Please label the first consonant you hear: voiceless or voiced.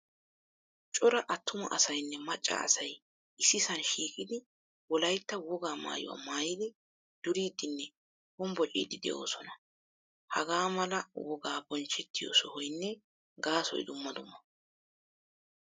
voiceless